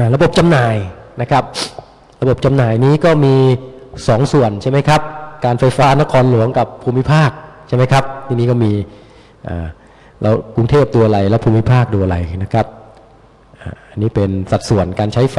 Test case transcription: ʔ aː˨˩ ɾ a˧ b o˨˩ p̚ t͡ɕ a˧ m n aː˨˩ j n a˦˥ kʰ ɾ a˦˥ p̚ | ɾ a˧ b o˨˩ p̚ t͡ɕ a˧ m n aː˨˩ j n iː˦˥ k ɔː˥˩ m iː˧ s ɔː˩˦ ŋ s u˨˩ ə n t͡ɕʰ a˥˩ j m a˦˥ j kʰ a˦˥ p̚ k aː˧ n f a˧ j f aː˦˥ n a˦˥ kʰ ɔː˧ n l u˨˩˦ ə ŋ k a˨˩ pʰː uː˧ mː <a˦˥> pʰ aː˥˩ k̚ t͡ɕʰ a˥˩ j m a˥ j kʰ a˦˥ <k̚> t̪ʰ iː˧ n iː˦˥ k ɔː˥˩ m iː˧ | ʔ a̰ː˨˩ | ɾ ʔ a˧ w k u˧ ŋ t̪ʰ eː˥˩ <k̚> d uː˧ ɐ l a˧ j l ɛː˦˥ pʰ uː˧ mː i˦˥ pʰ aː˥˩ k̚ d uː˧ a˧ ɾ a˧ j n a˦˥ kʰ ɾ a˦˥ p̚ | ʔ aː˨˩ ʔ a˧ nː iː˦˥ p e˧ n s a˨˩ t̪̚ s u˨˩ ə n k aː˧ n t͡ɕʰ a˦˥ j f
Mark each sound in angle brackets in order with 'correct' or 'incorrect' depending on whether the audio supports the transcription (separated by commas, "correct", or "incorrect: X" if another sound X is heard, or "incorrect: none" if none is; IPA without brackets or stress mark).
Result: incorrect: i˦˥, incorrect: p̚, incorrect: p̚